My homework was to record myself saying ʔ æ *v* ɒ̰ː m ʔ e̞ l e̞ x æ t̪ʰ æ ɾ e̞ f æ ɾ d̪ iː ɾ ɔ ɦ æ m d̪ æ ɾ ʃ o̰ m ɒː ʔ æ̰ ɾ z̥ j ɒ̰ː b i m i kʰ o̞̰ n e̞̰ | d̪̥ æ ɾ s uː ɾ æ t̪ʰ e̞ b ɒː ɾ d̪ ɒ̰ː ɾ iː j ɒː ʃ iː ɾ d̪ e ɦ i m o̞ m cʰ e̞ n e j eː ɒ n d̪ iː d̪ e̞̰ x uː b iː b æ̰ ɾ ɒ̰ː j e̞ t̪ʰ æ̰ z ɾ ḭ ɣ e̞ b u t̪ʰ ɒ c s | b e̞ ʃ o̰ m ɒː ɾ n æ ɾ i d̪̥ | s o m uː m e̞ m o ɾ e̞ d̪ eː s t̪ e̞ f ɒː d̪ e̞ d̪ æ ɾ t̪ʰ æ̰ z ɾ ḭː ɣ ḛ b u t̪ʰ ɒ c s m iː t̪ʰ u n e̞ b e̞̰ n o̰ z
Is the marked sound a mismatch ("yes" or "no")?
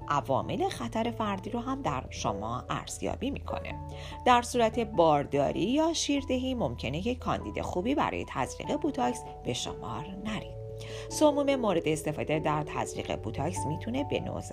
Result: no